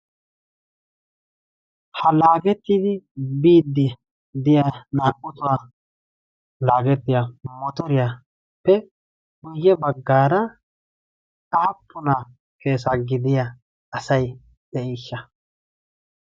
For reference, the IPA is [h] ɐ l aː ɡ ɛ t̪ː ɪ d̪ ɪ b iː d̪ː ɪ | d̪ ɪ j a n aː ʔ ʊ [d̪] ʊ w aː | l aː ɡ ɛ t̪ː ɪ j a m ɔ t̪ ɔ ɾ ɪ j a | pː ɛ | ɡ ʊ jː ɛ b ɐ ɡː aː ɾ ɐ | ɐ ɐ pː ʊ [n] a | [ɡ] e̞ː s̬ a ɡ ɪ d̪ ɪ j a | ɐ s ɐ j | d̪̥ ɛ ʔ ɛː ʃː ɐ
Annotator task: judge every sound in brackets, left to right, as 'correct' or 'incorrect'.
correct, incorrect, correct, incorrect

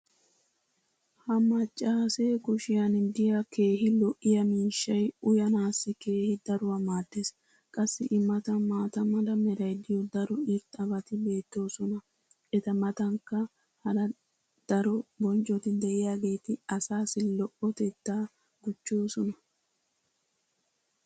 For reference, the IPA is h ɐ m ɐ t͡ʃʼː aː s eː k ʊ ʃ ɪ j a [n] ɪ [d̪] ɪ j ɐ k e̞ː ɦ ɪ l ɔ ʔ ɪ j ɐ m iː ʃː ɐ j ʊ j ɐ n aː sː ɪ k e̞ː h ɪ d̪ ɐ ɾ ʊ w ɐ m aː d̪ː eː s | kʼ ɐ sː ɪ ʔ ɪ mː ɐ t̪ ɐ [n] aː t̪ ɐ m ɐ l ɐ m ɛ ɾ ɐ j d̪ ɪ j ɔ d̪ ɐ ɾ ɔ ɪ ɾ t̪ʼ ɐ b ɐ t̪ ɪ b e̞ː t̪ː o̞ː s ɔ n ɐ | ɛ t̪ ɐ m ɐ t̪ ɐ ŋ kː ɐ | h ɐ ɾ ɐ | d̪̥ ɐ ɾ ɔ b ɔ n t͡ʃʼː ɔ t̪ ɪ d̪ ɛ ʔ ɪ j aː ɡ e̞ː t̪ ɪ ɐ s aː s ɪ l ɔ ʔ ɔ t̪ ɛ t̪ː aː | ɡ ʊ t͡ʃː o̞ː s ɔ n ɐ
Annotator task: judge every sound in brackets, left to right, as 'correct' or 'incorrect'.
correct, correct, incorrect

